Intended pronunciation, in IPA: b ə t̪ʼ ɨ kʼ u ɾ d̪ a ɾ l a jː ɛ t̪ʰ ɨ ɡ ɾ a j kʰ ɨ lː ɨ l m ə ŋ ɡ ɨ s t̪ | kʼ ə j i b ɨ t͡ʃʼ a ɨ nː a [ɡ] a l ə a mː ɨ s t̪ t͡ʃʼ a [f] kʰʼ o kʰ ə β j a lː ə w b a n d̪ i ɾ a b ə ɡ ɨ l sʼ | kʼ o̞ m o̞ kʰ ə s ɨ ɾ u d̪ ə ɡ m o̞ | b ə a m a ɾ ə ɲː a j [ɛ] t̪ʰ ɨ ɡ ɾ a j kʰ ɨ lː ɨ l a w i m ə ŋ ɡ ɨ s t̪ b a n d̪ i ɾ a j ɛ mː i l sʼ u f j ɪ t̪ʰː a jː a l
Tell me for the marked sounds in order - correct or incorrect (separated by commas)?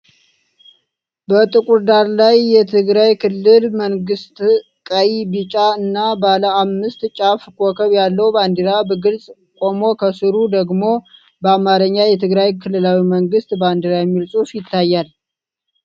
incorrect, correct, correct